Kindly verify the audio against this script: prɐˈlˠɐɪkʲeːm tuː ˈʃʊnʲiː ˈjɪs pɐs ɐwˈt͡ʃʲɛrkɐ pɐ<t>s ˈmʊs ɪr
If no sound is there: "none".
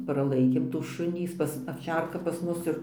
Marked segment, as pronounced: none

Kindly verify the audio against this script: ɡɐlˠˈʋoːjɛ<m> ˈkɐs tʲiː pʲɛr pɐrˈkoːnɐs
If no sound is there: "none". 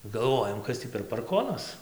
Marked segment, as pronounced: m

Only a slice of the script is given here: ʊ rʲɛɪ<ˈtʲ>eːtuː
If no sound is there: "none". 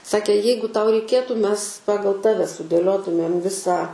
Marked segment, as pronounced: kʲ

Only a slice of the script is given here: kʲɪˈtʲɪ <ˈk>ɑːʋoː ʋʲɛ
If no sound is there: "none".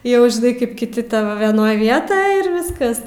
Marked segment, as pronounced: t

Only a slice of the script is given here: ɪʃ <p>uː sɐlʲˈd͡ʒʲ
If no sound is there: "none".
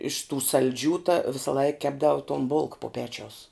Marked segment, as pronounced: t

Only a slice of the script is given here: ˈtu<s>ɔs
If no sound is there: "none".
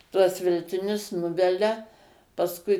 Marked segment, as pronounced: none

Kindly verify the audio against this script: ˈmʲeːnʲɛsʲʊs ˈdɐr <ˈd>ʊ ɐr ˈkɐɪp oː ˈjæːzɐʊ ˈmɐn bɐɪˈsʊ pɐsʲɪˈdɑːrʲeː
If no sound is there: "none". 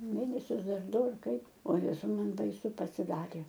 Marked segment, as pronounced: d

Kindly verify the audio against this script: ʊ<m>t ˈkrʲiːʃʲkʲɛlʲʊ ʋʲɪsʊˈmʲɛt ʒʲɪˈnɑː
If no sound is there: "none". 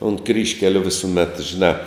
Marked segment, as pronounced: n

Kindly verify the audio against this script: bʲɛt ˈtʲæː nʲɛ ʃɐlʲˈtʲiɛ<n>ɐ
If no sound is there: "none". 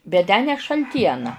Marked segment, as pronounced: n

